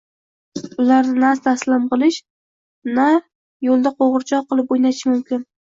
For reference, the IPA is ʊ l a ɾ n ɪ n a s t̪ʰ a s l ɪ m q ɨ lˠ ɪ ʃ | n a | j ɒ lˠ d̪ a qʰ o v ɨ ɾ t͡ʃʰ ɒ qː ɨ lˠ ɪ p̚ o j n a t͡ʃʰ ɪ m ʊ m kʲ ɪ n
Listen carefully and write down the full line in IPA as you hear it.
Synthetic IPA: ʊ l a ɾ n ɪ n a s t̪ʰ a s l ɪ m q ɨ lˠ ɪ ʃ | n a | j o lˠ d̪ a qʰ o ʁ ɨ ɾ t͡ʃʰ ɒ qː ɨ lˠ ɪ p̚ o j n a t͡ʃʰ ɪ m ʊ m kʲ ɪ n